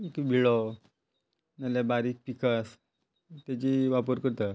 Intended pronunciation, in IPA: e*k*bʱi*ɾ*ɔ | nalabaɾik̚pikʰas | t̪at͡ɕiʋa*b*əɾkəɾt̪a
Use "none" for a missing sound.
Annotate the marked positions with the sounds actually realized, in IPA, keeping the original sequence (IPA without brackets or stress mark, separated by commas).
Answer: k, ɭ, p